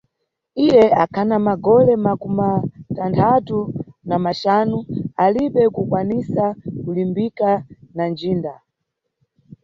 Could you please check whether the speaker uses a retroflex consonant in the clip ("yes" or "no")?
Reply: no